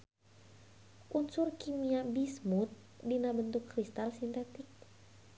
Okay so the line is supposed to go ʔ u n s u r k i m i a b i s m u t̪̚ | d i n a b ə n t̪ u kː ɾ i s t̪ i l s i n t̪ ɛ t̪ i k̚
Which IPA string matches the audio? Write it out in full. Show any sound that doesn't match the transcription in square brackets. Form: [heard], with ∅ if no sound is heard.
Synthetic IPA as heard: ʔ u n s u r k i m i a b i s m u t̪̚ | d i n a b ə n t̪ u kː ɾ i s t̪ [a] l s i n t̪ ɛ t̪ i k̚